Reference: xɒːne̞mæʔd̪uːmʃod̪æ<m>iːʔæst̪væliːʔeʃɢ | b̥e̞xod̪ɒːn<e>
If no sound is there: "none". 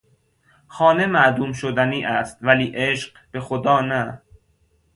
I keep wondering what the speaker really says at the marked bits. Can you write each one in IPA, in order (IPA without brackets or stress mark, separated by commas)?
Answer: n, æ